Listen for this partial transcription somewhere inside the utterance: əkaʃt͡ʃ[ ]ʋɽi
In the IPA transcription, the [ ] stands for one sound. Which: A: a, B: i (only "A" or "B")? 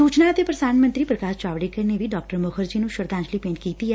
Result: A